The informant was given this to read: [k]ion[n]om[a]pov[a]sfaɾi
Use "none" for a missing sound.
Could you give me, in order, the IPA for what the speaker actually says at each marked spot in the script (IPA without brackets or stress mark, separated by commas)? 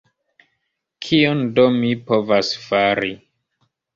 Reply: kʰ, d, i, a